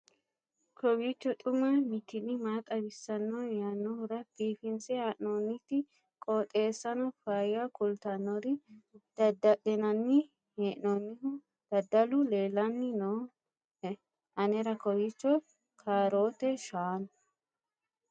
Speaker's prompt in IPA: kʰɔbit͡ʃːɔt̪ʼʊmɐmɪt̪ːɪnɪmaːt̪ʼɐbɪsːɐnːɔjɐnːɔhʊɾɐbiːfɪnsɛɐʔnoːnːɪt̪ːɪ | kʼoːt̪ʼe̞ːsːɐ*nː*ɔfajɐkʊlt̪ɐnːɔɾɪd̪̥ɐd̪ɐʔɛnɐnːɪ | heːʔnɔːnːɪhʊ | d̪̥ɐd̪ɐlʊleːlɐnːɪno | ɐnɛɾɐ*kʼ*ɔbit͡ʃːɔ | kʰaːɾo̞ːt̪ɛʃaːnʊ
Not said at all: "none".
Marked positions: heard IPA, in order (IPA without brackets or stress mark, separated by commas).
n, k